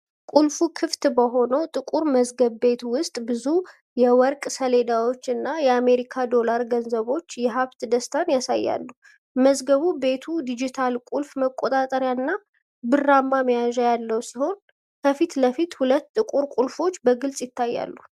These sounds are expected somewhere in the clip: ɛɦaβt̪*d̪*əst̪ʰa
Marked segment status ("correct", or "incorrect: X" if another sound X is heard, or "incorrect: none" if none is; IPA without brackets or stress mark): correct